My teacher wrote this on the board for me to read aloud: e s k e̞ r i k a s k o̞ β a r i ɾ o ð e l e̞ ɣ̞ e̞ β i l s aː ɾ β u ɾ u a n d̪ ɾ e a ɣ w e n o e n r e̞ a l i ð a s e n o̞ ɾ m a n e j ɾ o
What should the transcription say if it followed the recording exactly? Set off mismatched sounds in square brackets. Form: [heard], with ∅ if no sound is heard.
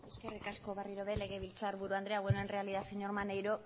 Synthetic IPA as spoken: e s k e̞ r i k a s k o̞ β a r i ɾ o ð e l e̞ ɣ̞ e̞ β i l [t͡s] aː ɾ β u ɾ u a n d̪ ɾ e a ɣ w e n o e n r e̞ a l i ð a s e [ɲ] o̞ ɾ m a n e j ɾ o